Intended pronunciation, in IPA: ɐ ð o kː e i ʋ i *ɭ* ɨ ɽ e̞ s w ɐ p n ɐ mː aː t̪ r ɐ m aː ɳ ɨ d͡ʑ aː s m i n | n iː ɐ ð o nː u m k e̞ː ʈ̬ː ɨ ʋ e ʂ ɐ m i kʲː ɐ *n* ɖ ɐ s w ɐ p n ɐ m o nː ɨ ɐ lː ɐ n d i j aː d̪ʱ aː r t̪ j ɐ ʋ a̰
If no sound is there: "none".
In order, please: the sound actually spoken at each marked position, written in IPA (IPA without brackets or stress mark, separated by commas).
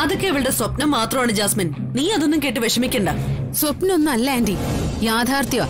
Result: ɭ, ɳ